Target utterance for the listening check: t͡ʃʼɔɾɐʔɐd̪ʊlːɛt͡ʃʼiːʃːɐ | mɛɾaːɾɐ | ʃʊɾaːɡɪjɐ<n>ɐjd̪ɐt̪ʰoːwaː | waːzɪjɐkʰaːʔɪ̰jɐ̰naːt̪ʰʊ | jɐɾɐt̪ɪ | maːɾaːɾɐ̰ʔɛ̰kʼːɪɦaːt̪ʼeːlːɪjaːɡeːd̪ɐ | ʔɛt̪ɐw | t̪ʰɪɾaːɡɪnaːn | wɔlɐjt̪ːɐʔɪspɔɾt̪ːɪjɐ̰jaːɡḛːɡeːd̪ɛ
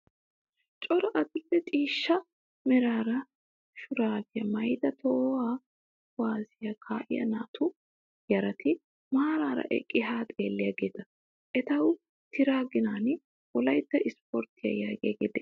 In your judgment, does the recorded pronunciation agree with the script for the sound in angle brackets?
no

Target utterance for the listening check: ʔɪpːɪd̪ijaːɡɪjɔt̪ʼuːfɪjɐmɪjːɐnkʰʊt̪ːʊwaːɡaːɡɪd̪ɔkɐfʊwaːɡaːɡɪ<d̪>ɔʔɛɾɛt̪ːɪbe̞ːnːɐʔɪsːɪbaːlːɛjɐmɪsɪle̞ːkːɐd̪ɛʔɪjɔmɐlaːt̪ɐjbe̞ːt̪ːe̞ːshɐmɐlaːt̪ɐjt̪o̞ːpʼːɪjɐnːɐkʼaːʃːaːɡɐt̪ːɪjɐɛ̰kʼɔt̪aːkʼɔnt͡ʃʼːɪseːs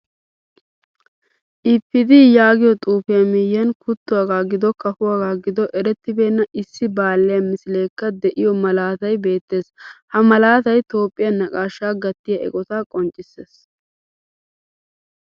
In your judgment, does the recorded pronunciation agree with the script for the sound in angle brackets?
yes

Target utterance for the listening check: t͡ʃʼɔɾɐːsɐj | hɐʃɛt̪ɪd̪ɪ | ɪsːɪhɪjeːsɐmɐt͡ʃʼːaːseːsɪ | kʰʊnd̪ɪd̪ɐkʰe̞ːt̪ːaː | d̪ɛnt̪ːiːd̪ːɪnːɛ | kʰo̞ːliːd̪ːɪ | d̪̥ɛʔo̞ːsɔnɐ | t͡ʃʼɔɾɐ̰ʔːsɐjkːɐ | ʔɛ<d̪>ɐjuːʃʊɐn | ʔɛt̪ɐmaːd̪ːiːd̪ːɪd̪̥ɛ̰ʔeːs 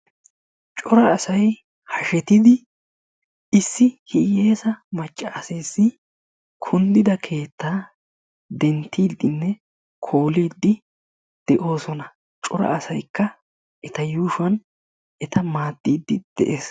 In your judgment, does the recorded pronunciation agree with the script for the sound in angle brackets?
no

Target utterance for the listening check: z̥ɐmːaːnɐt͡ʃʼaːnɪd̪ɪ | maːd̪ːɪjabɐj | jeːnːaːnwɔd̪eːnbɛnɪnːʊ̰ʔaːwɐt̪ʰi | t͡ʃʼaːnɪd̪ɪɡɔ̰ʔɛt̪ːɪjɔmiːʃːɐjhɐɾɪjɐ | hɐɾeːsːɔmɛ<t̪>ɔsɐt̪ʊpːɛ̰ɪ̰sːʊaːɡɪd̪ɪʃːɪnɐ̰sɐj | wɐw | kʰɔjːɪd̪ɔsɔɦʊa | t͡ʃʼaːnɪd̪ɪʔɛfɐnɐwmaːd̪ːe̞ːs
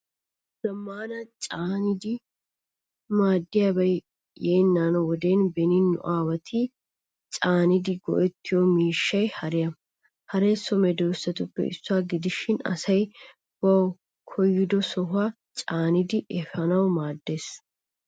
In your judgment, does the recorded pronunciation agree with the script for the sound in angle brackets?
no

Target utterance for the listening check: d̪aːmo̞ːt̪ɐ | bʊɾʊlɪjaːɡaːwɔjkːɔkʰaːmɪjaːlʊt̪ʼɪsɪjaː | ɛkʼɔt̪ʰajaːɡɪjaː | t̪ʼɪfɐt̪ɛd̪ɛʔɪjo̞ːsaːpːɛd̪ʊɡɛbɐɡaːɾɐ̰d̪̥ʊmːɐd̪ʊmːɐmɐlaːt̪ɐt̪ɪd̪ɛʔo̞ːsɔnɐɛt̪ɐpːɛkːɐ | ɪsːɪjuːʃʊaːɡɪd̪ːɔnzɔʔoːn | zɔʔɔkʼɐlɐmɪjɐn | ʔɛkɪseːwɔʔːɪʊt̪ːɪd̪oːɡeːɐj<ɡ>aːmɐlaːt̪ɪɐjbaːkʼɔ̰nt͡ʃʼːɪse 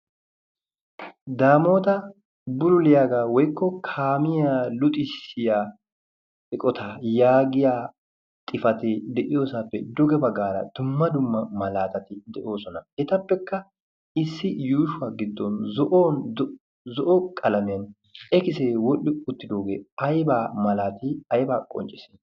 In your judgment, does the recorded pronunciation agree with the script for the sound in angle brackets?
no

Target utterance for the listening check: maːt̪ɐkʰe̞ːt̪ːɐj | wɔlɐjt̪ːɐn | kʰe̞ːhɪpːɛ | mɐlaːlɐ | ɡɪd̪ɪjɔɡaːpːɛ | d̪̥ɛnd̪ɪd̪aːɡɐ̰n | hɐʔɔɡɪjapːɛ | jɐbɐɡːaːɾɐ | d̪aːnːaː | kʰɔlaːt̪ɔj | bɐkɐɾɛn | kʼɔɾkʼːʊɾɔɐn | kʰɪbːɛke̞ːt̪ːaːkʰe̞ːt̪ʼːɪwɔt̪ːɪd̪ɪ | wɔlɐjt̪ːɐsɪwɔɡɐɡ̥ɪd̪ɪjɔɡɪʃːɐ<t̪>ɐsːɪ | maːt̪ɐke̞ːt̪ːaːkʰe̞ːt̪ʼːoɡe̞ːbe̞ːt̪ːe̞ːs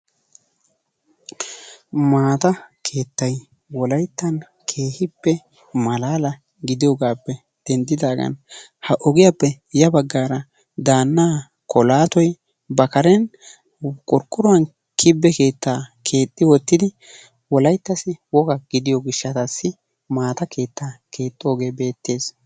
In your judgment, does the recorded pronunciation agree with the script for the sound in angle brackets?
yes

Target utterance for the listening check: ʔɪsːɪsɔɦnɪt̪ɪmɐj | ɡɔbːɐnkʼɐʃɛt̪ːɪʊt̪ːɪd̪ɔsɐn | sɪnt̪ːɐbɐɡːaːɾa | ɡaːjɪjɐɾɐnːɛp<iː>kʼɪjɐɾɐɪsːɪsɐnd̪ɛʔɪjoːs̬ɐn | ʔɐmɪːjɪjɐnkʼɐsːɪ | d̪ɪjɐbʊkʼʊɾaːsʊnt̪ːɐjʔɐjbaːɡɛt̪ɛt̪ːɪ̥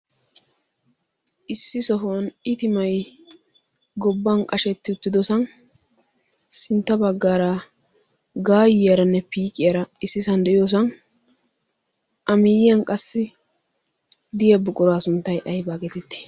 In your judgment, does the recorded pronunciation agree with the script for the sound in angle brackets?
yes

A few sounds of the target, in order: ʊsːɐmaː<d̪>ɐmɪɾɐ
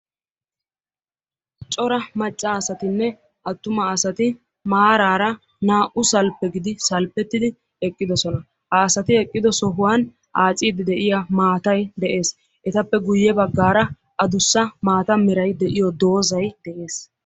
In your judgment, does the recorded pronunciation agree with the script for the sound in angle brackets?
no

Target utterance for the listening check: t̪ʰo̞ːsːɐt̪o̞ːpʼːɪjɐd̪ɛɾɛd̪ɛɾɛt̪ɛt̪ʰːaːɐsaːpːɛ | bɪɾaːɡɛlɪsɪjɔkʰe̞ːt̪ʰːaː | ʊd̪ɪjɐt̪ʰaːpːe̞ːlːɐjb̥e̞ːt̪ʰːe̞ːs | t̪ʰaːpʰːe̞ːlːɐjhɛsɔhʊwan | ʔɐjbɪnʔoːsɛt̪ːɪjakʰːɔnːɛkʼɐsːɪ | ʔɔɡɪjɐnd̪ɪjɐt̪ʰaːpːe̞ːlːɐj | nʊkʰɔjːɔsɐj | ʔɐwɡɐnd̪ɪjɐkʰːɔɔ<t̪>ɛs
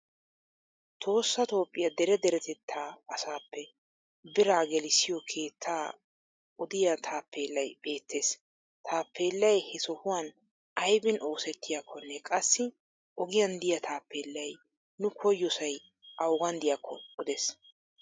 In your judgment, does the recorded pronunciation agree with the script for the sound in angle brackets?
no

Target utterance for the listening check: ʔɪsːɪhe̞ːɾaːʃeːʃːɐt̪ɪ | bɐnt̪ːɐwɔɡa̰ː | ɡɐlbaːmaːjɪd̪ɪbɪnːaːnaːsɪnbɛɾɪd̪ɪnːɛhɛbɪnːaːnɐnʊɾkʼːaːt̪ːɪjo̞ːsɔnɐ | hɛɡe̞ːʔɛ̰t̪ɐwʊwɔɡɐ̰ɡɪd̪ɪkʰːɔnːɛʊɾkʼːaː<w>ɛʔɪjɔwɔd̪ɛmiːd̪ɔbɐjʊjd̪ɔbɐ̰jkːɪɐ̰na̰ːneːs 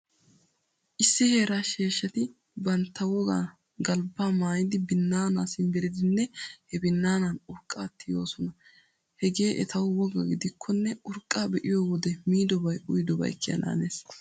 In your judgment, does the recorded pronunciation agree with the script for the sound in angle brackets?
no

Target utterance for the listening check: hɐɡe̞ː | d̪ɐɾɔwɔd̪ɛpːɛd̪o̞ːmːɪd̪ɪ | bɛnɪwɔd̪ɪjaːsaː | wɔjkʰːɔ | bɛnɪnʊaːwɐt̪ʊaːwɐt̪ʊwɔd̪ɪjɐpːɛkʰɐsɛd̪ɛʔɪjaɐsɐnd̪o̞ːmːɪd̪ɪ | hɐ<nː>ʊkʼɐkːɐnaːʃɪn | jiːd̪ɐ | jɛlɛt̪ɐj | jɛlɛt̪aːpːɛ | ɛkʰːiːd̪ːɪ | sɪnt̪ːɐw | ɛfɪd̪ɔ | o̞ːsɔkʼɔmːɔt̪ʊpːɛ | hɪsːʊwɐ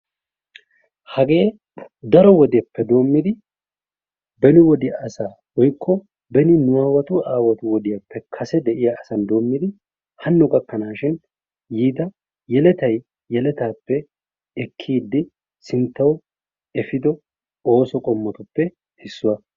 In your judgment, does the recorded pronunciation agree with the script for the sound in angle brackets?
yes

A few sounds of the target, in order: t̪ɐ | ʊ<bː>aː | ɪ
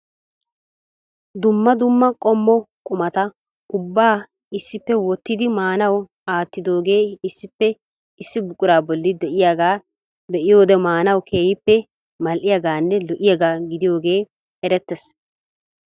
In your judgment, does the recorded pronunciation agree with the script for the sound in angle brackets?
yes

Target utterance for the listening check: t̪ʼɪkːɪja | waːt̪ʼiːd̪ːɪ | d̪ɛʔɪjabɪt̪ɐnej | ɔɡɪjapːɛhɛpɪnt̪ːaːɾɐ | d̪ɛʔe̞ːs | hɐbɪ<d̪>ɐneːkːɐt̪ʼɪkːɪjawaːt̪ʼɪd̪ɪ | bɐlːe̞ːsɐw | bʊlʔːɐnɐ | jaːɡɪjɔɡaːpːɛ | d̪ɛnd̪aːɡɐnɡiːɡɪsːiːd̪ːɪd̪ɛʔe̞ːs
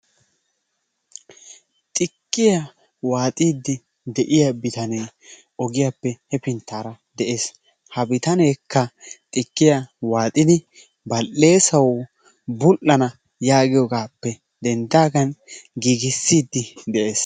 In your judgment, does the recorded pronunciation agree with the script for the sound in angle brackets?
no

